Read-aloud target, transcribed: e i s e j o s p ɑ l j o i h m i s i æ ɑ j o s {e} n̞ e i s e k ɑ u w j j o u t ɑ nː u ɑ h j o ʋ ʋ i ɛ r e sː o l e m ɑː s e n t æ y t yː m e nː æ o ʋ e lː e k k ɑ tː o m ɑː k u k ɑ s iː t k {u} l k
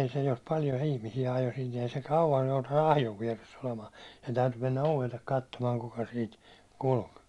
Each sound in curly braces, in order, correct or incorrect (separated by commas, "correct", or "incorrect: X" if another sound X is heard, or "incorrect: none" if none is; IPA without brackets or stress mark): incorrect: i, correct